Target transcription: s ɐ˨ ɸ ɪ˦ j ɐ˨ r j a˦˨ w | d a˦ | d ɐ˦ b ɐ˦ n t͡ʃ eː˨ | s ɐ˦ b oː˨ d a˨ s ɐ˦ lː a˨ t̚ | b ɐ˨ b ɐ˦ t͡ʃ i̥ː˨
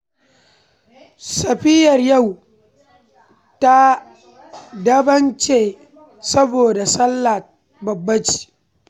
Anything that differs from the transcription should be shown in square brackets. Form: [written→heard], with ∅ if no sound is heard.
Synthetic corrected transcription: s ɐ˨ ɸ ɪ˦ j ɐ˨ r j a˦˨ w | [d→t] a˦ | d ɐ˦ b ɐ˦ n t͡ʃ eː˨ | s ɐ˦ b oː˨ d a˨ s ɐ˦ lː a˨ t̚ | b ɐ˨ [b→bː] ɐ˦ t͡ʃ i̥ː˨